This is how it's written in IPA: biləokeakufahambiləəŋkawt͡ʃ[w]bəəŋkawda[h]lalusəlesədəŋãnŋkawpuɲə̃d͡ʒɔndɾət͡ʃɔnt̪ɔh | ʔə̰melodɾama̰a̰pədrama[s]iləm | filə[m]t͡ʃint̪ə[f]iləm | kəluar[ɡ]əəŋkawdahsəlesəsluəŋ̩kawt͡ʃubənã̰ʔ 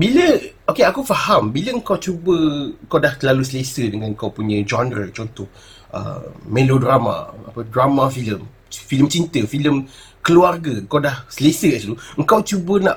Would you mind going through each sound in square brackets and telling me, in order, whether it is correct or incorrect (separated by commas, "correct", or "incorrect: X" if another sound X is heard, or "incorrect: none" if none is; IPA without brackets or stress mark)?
incorrect: u, correct, incorrect: f, correct, correct, correct